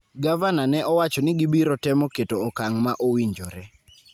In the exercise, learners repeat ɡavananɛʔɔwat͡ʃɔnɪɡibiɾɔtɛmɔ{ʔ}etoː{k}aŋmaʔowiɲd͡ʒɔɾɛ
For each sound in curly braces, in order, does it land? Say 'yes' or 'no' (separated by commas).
no, yes